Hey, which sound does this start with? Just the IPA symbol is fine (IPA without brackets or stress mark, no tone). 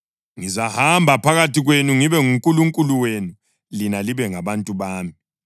ŋ